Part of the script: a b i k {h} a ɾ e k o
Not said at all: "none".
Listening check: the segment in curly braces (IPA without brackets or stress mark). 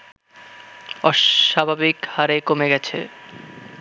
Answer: h